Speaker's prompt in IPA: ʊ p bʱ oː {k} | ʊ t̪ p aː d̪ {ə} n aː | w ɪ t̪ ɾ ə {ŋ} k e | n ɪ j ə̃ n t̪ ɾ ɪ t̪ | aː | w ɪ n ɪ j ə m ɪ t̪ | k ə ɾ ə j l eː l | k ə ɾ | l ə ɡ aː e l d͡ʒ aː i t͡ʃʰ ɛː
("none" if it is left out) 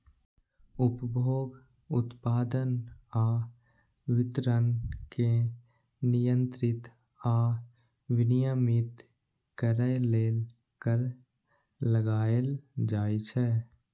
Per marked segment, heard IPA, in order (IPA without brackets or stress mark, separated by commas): ɡ, ə, n